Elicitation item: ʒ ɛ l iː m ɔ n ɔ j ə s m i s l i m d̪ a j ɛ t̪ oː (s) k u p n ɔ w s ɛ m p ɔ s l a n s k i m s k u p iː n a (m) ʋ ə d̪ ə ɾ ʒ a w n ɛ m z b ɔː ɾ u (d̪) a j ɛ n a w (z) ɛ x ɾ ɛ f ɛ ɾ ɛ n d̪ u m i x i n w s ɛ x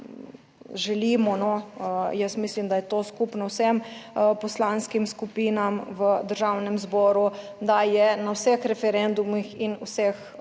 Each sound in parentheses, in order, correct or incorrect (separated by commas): correct, correct, correct, incorrect